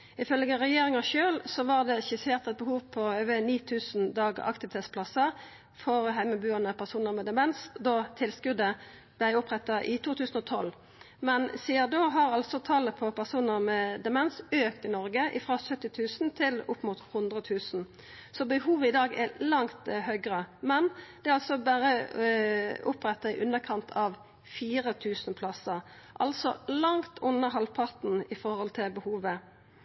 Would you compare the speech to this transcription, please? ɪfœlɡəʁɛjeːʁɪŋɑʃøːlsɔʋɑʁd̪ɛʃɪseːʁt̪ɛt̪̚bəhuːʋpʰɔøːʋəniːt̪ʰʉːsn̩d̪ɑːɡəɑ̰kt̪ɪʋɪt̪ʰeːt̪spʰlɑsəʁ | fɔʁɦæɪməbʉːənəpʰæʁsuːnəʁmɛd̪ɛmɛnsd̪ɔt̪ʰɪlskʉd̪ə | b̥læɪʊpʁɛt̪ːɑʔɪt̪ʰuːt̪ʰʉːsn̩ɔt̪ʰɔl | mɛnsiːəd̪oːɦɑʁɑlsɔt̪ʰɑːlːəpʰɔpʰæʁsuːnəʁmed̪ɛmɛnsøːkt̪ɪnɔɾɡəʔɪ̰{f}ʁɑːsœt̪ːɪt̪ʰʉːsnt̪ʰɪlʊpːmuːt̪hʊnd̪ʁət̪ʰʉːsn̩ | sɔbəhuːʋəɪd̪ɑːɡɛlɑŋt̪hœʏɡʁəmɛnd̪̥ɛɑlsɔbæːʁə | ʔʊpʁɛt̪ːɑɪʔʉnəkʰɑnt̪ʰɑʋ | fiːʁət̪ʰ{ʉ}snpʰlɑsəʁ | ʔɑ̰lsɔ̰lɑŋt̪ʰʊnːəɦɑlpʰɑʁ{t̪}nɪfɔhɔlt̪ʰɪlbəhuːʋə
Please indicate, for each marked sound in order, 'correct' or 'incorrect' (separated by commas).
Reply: correct, incorrect, correct